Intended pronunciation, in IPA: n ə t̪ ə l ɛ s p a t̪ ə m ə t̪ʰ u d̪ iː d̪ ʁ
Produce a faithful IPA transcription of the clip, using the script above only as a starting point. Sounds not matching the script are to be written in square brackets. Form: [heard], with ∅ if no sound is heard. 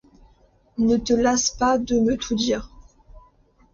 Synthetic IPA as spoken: n ə t̪ ə l [a] s p a [d̪] ə m ə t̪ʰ u d̪ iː [∅] ʁ